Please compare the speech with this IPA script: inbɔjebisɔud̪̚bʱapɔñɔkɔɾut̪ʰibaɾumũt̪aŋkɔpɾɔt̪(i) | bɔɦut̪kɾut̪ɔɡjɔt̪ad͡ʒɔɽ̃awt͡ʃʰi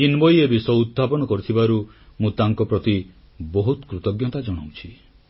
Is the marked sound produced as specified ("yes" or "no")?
yes